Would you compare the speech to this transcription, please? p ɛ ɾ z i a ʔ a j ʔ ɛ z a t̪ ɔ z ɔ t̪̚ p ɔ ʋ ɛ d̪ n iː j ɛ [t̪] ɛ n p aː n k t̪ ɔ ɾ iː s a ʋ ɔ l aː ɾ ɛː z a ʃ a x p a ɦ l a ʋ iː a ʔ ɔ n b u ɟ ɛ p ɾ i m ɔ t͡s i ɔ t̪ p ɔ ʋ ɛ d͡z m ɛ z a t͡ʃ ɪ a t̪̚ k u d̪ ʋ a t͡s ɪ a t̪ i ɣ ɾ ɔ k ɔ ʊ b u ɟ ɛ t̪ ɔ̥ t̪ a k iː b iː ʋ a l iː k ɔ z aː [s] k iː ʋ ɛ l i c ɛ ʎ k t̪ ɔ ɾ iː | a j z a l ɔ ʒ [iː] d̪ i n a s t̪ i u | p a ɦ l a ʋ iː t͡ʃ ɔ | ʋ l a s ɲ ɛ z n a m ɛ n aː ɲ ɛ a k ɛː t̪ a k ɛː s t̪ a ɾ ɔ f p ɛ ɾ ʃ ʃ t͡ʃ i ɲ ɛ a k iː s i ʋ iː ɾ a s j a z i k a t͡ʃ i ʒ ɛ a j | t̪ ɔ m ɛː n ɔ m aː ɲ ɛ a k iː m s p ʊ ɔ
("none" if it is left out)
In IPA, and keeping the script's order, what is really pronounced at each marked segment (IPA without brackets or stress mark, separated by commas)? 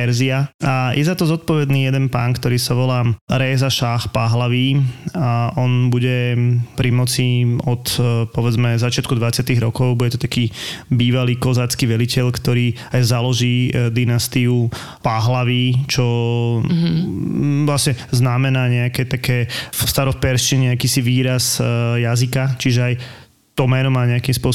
d̪, t͡s, iː